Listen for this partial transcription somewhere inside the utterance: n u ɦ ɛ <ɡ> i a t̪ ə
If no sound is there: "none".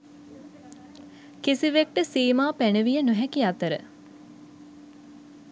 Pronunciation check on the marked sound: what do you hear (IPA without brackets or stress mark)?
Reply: k